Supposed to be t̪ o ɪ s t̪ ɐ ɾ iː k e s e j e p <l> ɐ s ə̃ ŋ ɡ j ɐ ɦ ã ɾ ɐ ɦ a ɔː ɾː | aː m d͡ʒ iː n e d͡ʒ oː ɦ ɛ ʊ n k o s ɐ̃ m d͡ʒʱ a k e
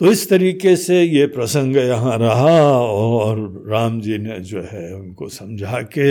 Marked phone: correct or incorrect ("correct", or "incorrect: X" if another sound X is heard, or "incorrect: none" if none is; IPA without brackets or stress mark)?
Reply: incorrect: ɾ